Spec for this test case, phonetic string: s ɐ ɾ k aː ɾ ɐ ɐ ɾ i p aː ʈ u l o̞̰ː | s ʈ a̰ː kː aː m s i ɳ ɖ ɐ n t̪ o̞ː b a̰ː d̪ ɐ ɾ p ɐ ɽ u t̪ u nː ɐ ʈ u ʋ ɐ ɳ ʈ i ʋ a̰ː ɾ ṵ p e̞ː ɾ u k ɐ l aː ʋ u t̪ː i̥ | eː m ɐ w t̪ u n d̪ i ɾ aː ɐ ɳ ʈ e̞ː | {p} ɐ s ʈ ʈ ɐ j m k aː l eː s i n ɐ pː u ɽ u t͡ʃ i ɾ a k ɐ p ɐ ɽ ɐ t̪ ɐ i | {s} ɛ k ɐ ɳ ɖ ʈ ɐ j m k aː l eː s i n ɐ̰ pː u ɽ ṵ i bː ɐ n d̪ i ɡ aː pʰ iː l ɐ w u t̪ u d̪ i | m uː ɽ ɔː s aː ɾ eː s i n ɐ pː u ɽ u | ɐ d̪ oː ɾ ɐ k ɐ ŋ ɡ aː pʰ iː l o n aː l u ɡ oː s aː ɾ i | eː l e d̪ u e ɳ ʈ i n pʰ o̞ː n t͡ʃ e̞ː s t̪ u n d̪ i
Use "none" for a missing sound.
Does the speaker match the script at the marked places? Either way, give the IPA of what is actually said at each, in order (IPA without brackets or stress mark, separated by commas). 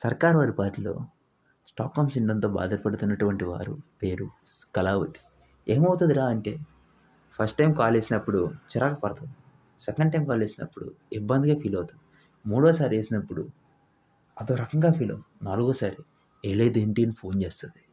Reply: pʰ, s